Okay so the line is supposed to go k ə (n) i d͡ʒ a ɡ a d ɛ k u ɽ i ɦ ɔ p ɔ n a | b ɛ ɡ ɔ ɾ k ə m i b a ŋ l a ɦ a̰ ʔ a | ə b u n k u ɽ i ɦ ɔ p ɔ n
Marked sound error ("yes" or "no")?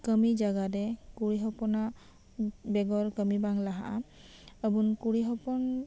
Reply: yes